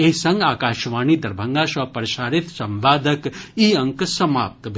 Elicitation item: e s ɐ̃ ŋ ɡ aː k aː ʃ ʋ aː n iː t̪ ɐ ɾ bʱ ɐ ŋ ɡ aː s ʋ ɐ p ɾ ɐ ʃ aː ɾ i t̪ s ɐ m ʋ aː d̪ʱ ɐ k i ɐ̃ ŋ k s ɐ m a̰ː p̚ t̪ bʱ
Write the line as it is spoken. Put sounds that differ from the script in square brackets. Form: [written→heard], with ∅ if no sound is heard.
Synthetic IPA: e s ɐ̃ ŋ ɡ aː k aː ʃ ʋ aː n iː [t̪→d̪] ɐ ɾ bʱ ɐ ŋ ɡ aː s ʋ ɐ p ɾ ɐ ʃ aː ɾ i t̪ s ɐ m ʋ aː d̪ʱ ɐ k i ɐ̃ ŋ k s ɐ m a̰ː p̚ t̪ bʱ